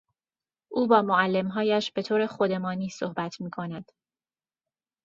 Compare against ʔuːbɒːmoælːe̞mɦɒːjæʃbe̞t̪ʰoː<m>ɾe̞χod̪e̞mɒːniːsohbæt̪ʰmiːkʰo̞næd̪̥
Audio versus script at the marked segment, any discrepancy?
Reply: yes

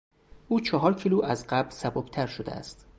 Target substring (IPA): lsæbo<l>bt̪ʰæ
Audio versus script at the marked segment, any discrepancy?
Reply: yes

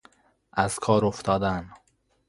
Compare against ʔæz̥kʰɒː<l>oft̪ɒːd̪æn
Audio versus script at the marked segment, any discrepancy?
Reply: yes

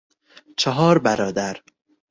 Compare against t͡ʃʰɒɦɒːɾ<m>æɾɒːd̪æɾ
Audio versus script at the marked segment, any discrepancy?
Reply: yes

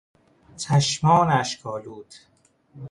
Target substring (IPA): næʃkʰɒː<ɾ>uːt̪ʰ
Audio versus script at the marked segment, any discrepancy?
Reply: yes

